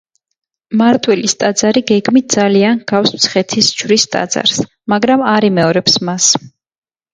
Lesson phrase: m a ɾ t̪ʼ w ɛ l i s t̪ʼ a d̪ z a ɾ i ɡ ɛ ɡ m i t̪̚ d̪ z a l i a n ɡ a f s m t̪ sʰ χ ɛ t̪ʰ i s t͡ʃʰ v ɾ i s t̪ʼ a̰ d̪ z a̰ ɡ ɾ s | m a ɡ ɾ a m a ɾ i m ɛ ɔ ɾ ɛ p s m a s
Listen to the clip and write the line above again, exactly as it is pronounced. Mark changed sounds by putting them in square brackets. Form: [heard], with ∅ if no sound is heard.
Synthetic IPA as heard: m a ɾ t̪ʼ w ɛ l i s t̪ʼ a d̪ z a ɾ i ɡ ɛ ɡ m i t̪̚ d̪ z a l i a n ɡ a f s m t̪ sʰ χ ɛ t̪ʰ i s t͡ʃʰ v ɾ i s t̪ʼ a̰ d̪ z a̰ [∅] ɾ s | m a ɡ ɾ a m a ɾ i m ɛ ɔ ɾ ɛ p s m a s